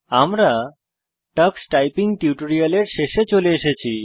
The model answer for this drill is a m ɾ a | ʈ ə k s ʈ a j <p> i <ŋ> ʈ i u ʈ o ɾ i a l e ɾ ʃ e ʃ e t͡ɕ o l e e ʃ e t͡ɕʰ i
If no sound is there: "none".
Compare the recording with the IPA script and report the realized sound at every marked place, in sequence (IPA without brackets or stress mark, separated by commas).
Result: p, ŋ